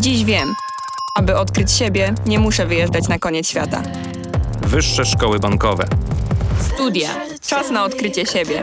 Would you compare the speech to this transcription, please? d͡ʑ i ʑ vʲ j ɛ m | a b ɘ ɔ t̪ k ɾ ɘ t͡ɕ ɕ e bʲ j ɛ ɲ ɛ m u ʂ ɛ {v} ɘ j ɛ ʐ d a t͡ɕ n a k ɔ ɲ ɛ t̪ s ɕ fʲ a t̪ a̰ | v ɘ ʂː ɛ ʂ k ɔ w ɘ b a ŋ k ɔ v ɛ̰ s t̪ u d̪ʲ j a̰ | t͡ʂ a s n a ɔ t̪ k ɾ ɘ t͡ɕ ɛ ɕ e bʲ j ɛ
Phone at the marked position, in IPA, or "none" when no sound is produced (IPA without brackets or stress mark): v